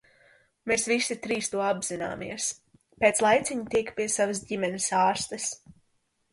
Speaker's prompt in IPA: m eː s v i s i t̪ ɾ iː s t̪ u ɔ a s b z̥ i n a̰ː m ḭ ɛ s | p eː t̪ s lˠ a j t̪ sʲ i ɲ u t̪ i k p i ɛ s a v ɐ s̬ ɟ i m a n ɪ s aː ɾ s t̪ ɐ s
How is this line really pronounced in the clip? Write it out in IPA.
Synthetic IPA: m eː s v i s i t̪ ɾ iː s t̪ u ɔ a b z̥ i n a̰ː m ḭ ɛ s | p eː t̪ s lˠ a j t̪ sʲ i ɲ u t̪ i k p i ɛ s a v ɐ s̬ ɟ i m ɛ n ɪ s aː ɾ s t̪ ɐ s